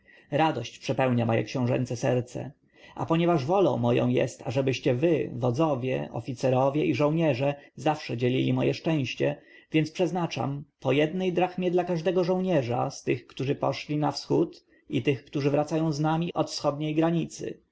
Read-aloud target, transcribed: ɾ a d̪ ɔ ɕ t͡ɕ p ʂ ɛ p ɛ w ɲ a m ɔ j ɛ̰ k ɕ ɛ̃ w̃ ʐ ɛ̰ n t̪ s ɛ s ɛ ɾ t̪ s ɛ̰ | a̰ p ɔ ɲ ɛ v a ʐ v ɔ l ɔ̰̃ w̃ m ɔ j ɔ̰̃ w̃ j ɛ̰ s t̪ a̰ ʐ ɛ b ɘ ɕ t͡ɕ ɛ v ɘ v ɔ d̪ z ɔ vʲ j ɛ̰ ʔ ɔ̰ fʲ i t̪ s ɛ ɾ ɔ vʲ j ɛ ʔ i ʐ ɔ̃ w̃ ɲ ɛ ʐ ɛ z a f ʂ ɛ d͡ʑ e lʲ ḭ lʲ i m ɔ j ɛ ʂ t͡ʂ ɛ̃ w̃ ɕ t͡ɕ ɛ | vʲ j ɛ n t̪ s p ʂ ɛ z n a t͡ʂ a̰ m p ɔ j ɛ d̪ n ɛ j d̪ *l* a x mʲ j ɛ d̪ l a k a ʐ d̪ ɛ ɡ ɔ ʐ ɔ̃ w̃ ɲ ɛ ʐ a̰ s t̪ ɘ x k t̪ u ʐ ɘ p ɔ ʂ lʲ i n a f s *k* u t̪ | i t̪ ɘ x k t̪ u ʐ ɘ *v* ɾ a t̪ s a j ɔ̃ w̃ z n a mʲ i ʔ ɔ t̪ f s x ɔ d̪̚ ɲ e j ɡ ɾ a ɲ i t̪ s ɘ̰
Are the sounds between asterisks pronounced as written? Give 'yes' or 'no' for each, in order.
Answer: no, no, yes

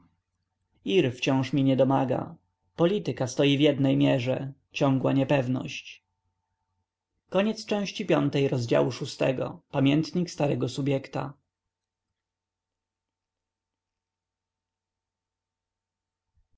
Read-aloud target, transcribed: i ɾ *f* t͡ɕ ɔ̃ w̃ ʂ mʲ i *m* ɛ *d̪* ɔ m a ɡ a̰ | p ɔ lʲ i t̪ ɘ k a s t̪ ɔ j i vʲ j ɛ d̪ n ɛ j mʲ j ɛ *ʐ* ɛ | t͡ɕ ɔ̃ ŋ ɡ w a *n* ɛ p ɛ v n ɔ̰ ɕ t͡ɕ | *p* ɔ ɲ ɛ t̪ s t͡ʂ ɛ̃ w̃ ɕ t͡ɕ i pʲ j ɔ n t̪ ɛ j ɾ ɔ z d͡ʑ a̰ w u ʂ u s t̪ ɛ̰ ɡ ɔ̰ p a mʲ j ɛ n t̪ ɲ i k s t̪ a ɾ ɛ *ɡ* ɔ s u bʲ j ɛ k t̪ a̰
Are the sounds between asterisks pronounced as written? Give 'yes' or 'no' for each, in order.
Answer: yes, no, yes, yes, no, no, yes

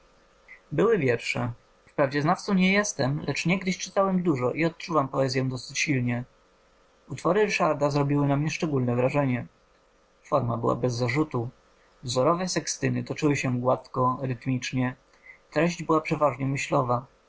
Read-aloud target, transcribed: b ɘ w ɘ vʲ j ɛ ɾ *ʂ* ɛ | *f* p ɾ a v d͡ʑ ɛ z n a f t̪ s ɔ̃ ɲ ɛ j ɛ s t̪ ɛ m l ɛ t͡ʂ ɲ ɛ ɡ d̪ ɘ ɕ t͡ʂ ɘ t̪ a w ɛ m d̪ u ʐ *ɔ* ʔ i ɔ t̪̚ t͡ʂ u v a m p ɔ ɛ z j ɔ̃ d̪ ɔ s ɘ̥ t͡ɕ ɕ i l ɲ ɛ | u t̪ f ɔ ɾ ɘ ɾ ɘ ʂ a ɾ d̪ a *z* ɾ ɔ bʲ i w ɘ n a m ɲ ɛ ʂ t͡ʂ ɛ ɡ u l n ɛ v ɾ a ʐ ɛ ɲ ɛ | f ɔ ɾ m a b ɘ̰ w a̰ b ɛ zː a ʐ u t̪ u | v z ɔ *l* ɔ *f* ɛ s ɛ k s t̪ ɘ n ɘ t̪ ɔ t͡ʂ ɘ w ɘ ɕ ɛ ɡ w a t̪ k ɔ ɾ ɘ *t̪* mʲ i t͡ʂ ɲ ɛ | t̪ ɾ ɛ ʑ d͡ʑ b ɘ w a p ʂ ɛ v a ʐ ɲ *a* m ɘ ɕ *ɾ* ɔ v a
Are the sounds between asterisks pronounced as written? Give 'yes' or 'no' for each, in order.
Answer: yes, yes, yes, yes, no, no, yes, no, no

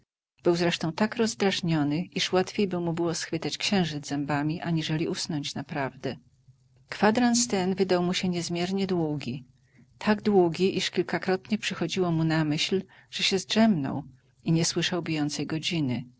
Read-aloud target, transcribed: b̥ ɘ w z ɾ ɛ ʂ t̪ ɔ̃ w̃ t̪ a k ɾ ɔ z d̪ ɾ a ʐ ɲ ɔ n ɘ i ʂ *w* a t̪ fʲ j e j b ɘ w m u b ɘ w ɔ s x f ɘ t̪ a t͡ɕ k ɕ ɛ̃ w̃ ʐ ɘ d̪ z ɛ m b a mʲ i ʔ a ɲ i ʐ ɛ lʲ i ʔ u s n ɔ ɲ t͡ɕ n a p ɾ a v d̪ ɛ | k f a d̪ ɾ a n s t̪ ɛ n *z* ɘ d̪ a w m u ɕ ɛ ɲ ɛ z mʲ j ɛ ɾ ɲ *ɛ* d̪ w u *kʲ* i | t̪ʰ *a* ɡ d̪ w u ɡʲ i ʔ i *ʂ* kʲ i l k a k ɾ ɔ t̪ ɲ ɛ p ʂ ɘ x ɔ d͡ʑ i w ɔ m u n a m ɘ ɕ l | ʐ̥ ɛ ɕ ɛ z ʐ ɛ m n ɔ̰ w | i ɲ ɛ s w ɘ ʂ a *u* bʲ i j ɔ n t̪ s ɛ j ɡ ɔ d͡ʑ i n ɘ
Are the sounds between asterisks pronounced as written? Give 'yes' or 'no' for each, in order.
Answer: yes, no, yes, no, yes, yes, no

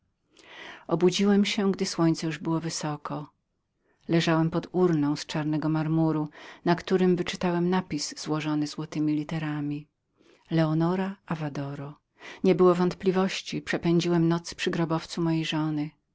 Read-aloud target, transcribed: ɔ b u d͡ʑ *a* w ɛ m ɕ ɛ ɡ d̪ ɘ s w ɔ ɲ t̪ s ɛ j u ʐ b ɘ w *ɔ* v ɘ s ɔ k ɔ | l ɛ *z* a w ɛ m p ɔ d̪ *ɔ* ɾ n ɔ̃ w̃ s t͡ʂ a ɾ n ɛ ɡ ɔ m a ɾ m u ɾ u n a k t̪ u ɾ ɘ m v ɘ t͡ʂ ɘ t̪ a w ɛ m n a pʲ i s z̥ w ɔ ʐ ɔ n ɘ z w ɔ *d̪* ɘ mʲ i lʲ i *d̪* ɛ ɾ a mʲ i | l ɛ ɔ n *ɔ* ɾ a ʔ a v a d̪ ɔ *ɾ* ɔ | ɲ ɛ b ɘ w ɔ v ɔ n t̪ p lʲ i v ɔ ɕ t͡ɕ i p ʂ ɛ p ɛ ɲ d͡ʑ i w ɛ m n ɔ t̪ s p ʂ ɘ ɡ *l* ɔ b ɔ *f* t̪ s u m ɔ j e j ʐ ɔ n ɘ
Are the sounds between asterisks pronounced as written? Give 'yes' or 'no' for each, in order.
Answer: no, yes, no, no, no, no, yes, yes, no, yes

